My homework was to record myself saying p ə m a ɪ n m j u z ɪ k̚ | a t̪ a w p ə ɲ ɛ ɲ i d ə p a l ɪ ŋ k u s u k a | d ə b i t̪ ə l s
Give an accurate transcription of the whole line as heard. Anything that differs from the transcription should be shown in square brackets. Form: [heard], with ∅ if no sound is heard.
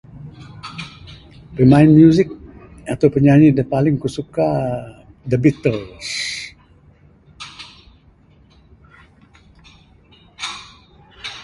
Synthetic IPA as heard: p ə m a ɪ n m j u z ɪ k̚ | a t̪ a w p ə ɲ [a] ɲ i d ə p a l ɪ ŋ k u s u k a | d ə b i t̪ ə l s